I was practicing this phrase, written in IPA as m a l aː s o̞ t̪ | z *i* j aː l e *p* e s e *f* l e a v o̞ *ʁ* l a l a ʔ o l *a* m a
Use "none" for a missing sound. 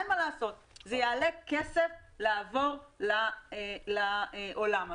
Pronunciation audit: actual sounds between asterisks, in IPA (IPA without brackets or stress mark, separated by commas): e, k, f, ʁ, a